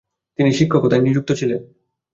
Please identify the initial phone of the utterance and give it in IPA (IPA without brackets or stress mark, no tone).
t̪